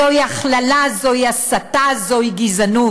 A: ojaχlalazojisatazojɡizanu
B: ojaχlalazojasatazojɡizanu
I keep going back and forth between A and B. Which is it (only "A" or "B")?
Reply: B